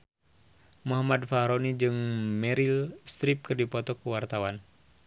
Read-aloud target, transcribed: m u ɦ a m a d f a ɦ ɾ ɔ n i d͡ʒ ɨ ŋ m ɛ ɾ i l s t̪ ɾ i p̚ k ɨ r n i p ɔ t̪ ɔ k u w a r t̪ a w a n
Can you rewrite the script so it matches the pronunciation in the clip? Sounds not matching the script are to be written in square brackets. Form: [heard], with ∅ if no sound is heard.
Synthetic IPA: m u ɦ a m a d f a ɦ ɾ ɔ n i d͡ʒ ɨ ŋ m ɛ ɾ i l s t̪ ɾ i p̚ k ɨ r [d] i p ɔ t̪ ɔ k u w a r t̪ a w a n